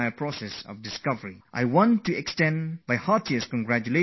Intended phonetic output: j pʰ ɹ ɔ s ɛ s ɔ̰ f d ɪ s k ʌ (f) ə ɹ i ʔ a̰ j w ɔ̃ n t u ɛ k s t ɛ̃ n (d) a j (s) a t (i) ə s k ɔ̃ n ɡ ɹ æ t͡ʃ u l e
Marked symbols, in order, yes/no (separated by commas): no, no, no, yes